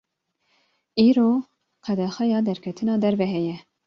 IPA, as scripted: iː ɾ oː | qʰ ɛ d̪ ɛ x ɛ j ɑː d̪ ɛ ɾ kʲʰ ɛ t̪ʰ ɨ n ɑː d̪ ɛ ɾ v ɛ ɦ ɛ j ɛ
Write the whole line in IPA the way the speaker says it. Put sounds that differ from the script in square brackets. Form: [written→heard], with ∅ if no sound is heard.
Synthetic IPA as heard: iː ɾ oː | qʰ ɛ d̪ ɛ x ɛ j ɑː d̪ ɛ ɾ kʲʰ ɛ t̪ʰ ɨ n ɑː d̪ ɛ ɾ v ɛ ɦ ɛ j ɛ